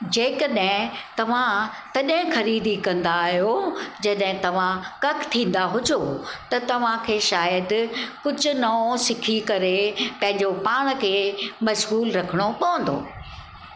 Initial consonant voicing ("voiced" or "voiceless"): voiced